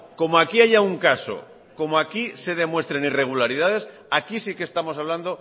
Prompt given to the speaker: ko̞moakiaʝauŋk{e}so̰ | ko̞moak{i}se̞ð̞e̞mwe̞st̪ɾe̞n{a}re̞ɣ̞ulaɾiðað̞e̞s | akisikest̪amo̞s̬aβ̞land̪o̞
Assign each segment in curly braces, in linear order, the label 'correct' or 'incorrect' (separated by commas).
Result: incorrect, correct, incorrect